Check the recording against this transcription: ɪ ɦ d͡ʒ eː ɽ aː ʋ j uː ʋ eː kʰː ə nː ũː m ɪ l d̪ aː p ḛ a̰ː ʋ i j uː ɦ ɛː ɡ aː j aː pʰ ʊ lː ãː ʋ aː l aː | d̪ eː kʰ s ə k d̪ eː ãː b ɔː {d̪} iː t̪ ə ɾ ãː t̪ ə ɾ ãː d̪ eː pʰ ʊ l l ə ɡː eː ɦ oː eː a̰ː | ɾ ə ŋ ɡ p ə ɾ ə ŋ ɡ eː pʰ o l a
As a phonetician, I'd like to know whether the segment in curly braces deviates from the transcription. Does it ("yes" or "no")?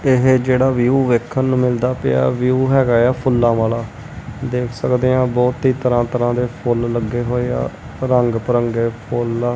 yes